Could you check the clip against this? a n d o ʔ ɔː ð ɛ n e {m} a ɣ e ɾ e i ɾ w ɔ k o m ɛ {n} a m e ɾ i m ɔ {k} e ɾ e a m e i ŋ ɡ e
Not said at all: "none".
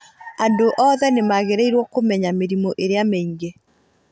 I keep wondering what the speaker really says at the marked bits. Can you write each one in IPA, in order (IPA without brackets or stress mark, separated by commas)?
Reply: m, ɲ, ʔ